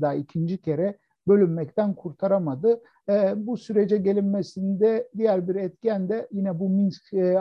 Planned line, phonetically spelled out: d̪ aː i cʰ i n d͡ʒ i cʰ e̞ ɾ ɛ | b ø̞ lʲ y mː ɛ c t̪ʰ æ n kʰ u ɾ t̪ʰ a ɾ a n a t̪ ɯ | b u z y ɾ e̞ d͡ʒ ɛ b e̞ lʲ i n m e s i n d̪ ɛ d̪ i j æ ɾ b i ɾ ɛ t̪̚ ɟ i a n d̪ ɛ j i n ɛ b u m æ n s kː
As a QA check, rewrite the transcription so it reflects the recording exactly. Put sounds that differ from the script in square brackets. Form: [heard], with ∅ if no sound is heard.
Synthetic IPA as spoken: d̪ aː i cʰ i n d͡ʒ i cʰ e̞ ɾ ɛ | b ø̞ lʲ y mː ɛ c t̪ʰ æ n kʰ u ɾ t̪ʰ a ɾ a [m] a [d̪] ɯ | b u [s] y ɾ e̞ d͡ʒ ɛ [ɟ] e̞ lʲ i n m e s i n d̪ ɛ d̪ i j æ ɾ b i ɾ ɛ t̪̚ [c] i [æ] n d̪ ɛ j i n ɛ b u m [i] n s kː